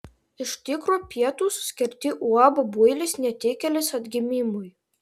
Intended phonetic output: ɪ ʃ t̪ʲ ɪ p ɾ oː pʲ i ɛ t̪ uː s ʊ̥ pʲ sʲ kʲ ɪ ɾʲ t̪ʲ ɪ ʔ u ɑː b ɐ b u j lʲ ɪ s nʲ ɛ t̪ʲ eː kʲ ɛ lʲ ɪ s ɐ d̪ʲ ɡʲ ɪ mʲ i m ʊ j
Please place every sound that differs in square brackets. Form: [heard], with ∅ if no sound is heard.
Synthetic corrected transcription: ɪ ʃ t̪ʲ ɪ [k] ɾ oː pʲ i ɛ t̪ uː s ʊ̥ [∅] sʲ kʲ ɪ ɾʲ t̪ʲ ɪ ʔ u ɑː b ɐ b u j lʲ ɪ s nʲ ɛ t̪ʲ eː kʲ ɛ lʲ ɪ s ɐ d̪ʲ ɡʲ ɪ mʲ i m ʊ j